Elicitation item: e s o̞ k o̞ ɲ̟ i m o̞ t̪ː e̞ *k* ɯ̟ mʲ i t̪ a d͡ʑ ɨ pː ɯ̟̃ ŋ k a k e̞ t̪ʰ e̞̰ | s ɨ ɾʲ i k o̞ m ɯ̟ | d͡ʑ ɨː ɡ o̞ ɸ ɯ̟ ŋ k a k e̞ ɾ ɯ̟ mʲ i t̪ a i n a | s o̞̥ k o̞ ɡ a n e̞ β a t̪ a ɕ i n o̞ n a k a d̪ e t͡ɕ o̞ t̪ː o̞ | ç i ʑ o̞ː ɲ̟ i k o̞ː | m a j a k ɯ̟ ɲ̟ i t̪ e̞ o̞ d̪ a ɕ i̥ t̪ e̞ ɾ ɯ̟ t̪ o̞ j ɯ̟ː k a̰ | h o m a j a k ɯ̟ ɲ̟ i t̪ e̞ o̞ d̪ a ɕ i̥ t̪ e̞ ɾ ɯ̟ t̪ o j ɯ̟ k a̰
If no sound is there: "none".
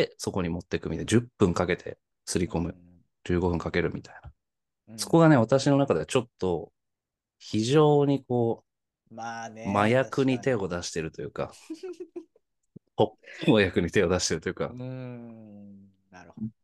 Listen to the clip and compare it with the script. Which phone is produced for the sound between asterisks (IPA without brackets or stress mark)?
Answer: k